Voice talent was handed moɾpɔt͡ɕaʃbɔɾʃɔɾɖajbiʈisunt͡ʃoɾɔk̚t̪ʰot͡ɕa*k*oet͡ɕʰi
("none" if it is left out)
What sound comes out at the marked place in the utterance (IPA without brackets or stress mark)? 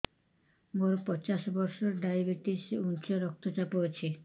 p